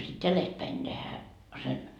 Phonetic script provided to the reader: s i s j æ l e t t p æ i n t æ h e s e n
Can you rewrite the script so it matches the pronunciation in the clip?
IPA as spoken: s i t j æ l e s t p æ i n t e h æ s e n